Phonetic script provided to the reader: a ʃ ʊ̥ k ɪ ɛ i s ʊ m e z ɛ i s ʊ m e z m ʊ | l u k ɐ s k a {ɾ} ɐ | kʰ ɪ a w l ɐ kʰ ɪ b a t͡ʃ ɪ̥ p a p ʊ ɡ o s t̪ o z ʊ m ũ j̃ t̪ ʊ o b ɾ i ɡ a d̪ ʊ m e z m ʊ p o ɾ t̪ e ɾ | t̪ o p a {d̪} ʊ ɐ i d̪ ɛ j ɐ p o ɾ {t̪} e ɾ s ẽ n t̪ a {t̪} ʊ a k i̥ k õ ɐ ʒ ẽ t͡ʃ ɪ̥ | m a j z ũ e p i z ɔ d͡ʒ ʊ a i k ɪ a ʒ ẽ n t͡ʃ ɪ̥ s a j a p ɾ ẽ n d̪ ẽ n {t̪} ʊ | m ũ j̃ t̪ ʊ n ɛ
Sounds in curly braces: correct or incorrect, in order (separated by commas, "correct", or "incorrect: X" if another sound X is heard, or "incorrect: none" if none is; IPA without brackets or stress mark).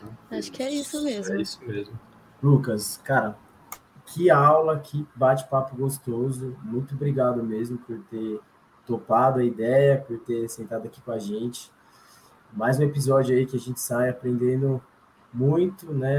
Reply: correct, correct, correct, incorrect: d̪, incorrect: d̪